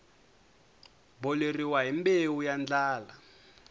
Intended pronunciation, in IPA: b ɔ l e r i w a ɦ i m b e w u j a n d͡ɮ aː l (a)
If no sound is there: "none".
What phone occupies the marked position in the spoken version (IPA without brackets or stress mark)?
a